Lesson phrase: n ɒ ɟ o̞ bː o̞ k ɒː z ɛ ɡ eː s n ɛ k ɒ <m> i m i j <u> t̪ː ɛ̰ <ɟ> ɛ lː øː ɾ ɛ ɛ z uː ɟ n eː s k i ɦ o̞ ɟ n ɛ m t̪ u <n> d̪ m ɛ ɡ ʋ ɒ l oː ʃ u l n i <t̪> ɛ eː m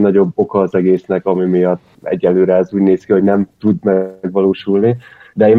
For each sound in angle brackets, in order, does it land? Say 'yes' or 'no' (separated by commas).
yes, no, no, no, no